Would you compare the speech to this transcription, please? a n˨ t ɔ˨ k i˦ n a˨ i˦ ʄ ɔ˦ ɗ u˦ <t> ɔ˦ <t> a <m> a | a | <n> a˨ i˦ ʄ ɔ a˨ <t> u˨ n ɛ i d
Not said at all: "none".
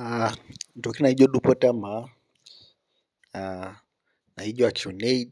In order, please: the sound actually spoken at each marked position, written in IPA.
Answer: p, t, m, n, t͡ʃ

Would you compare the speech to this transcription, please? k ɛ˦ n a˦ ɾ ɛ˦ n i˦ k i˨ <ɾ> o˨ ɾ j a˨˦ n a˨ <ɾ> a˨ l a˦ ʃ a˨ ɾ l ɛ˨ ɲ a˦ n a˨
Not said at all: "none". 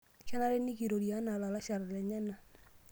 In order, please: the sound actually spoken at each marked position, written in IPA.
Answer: ɾ, l

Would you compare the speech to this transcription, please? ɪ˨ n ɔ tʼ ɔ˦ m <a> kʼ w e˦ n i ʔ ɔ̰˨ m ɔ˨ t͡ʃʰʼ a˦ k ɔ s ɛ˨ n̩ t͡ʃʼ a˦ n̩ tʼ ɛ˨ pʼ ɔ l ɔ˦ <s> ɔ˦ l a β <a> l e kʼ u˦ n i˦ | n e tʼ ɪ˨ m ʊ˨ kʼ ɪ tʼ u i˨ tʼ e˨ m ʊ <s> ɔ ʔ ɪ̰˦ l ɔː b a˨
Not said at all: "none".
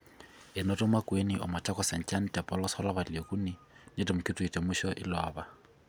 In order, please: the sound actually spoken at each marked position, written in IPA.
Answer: a, s, a, ʃ

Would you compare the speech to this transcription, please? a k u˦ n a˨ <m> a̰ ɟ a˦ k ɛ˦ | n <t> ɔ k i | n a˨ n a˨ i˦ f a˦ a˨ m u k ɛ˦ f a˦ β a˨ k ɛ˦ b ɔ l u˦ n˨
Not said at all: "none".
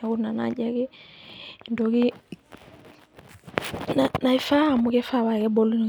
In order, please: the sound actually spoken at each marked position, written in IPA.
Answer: n, d

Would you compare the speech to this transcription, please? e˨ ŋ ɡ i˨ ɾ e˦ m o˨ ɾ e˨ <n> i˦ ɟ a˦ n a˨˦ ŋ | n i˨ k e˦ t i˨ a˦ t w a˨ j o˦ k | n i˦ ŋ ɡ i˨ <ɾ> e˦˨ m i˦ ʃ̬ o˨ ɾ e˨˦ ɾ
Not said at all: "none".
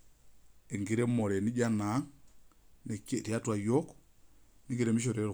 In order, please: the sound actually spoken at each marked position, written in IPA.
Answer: n, ɾ

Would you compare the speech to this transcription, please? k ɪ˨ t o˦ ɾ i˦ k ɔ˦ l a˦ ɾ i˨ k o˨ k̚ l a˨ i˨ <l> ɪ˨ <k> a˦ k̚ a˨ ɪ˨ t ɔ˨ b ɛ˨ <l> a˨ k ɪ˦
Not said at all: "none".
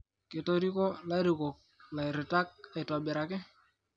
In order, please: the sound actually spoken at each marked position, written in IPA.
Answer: ɾ, t, ɾ

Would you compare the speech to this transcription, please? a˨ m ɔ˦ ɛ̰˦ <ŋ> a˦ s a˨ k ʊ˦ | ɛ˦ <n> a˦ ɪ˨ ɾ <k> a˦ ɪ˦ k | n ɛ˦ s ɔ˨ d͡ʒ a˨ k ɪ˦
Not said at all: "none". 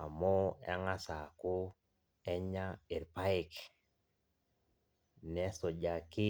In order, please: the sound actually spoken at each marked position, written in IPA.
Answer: ŋ, ɲ, p

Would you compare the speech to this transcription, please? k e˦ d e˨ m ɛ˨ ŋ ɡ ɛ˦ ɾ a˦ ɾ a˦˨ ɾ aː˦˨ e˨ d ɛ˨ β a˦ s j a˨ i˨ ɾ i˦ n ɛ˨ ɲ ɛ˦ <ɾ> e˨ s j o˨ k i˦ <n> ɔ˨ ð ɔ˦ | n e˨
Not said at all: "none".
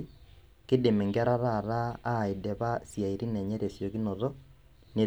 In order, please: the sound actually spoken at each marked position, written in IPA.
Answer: ɾ, n

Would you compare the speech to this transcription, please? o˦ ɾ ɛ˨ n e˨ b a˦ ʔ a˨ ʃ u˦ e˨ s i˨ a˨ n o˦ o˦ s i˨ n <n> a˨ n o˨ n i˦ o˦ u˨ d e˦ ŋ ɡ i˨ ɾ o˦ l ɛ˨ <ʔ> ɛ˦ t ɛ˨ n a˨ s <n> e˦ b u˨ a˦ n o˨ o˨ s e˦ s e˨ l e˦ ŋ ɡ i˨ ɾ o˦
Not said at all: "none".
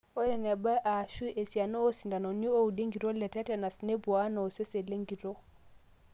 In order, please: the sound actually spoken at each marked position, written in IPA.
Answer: d, t, n

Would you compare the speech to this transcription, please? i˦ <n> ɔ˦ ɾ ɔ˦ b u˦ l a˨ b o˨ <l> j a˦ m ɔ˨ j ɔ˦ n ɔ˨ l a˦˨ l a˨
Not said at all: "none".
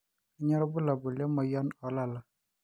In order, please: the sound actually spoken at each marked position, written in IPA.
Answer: ɲ, l

